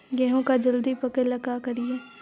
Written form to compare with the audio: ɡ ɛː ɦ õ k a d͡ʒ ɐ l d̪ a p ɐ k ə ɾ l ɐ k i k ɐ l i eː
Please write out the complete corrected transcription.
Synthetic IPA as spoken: ɡ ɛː ɦ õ k a d͡ʒ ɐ l d̪ i p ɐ k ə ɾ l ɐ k a k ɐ ɾ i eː